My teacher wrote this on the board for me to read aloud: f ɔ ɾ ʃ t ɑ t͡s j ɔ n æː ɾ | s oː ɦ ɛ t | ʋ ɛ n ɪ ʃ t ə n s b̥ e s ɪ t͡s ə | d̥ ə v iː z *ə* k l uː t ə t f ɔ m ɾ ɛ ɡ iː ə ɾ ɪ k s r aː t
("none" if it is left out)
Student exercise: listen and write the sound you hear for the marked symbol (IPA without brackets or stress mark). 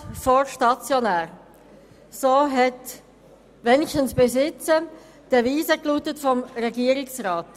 ə